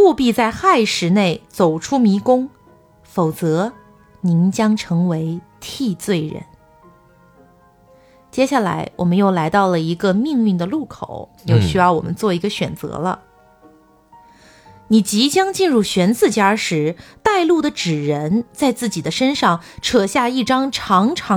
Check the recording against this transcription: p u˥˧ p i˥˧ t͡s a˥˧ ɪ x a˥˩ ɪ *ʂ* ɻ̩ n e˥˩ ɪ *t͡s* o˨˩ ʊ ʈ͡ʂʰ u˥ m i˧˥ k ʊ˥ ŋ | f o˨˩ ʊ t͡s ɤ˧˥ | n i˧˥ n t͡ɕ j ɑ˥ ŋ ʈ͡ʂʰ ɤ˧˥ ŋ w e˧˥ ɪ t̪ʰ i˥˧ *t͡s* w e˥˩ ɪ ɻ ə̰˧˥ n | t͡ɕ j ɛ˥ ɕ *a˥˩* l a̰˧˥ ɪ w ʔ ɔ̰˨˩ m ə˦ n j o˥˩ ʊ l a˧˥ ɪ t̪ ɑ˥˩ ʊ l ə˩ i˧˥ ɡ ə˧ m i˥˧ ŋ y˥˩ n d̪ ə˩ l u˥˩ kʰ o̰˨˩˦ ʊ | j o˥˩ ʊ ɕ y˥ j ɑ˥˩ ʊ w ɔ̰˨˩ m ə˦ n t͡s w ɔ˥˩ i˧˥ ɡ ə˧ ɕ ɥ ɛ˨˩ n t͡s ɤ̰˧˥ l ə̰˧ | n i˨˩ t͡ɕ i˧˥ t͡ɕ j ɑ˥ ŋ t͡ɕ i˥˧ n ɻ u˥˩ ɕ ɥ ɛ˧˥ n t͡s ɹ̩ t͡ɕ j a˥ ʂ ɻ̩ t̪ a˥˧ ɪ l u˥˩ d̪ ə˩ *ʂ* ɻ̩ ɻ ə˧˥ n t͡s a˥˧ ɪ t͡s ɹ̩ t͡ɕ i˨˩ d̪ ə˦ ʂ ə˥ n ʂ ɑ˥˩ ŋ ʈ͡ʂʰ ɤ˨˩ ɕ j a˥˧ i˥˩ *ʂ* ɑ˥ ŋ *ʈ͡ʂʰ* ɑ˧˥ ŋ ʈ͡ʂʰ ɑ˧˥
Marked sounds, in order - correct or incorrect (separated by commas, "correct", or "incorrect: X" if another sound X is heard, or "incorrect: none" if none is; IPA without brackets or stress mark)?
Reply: correct, correct, correct, correct, incorrect: ʈ͡ʂ, incorrect: ʈ͡ʂ, correct